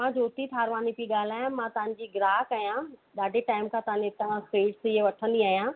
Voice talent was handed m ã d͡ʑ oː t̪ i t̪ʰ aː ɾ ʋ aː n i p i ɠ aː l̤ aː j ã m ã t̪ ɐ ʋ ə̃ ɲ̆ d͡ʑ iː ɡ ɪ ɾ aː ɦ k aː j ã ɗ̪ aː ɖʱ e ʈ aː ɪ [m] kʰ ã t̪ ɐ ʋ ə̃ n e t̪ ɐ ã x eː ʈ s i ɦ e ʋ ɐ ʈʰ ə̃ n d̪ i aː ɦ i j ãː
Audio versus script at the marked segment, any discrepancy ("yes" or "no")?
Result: no